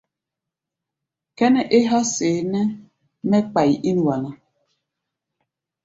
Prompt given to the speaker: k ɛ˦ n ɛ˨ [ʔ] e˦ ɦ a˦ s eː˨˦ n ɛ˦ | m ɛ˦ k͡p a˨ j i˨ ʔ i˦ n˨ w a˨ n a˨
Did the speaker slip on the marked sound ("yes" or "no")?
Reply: no